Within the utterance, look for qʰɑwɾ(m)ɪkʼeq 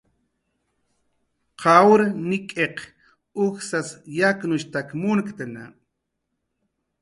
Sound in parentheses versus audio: incorrect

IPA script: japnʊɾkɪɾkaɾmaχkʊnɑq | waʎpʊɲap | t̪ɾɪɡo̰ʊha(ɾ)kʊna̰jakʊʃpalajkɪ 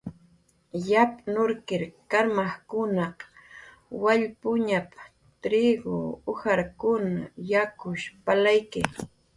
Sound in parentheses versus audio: correct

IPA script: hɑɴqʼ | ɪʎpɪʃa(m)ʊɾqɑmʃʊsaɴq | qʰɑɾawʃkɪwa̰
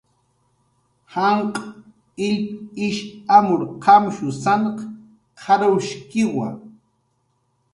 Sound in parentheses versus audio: correct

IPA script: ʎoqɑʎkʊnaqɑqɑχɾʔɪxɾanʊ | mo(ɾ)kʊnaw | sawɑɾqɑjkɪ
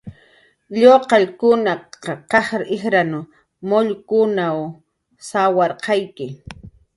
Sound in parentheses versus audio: incorrect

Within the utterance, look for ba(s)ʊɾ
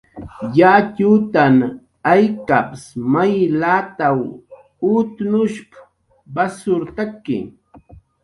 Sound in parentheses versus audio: correct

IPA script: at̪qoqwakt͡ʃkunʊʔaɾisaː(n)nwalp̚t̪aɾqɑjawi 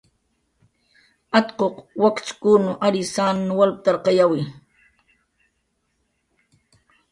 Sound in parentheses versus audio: correct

